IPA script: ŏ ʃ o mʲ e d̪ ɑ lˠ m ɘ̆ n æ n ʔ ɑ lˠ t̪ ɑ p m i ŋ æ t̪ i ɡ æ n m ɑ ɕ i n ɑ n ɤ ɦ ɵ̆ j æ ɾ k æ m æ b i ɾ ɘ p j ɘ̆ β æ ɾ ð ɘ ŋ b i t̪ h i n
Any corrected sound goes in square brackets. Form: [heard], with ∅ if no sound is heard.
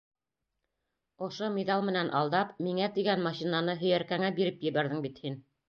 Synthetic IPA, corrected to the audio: ŏ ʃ o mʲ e d̪ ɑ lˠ m ɘ̆ n æ n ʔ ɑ lˠ [d̪] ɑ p m i ŋ æ t̪ i ɡ æ n m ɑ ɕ i n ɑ n ɤ ɦ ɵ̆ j æ ɾ k æ [ŋ] æ b i ɾ ɘ p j ɘ̆ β æ ɾ ð ɘ ŋ b i t̪ h i n